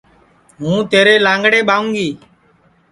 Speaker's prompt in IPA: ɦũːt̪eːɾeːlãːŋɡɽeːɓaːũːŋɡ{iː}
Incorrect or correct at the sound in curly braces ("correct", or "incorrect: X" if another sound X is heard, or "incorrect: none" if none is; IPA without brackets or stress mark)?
correct